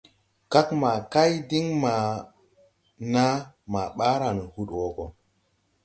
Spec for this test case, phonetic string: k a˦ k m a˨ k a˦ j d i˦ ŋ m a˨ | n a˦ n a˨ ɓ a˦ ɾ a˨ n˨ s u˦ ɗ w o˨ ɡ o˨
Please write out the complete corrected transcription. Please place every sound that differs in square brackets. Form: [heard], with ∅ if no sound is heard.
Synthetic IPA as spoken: k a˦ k m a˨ k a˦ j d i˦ ŋ m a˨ | n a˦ [m] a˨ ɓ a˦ ɾ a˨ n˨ [h] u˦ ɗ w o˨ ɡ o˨